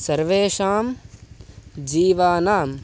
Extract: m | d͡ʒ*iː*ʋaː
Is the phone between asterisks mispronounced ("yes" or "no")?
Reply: no